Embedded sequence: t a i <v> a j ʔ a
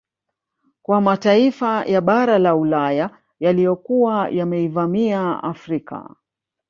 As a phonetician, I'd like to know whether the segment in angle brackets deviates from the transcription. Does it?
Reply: yes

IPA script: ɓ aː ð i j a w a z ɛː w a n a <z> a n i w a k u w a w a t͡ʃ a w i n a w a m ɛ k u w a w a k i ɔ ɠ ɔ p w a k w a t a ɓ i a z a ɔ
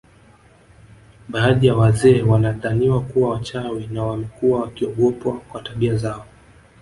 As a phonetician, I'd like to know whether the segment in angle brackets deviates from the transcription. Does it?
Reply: yes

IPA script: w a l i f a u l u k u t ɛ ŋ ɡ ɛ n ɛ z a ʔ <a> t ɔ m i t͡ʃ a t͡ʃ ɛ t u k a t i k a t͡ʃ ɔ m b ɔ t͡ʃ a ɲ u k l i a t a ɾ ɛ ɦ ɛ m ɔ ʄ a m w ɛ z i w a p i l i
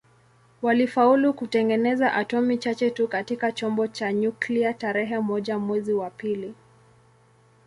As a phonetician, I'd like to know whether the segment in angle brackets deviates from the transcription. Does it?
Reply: no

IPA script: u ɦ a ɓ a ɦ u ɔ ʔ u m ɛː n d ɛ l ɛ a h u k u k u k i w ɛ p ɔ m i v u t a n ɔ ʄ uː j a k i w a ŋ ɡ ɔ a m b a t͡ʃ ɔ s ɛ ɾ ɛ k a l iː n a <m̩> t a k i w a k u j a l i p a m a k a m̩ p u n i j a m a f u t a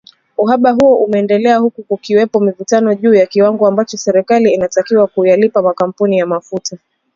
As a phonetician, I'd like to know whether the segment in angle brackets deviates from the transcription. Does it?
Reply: yes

